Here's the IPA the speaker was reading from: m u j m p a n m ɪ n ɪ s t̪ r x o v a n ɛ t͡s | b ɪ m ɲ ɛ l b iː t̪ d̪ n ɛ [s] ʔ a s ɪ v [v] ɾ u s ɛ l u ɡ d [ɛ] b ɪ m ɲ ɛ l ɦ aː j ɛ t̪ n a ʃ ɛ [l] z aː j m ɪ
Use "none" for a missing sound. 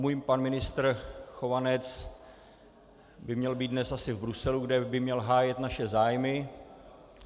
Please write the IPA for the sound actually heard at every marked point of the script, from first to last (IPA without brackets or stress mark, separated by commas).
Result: s, b, ɛ, none